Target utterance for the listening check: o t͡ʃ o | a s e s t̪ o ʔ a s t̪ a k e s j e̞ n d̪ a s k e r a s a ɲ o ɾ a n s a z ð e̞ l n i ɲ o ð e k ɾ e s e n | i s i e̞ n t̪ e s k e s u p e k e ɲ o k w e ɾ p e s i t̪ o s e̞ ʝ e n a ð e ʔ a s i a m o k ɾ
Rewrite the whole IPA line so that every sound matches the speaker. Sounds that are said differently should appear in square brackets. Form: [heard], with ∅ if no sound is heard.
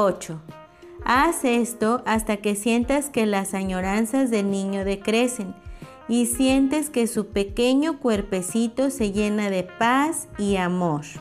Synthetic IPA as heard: o t͡ʃ o | a s e s t̪ o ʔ a s t̪ a k e s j e̞ n [t̪] a s k e [l] a s a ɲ o ɾ a n s a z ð e̞ l n i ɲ o ð e k ɾ e s e n | i s [j] e̞ n t̪ e s k e s u p e k e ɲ o k w e ɾ p e s i t̪ o s e̞ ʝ e n a ð e [p] a s i a m o [∅] ɾ